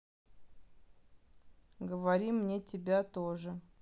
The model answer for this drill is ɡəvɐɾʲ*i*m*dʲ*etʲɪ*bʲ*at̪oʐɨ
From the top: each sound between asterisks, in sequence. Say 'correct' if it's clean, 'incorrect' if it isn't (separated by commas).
correct, incorrect, correct